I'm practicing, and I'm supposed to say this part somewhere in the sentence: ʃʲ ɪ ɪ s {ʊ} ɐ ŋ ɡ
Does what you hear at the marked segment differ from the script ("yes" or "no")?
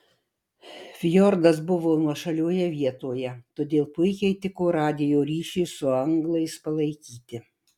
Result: no